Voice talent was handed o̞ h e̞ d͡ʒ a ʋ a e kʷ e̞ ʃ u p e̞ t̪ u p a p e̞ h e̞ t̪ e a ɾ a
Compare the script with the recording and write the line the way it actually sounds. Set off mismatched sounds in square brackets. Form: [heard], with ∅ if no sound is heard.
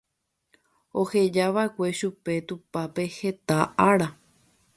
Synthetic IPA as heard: o̞ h e̞ d͡ʒ a ʋ a e kʷ e̞ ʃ u p e̞ t̪ u p a p e̞ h e̞ t̪ [a] a ɾ a